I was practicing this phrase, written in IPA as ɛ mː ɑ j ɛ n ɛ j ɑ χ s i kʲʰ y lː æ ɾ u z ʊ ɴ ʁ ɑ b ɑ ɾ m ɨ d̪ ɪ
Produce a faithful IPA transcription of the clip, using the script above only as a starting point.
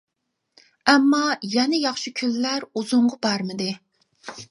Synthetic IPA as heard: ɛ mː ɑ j ɛ n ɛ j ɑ χ ʃ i kʲʰ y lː æ ɾ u z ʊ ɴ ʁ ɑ b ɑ ɾ m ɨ d̪ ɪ